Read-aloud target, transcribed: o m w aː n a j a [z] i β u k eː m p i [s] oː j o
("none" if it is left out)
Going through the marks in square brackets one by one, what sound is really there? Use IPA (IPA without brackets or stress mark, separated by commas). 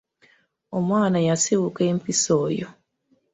s, s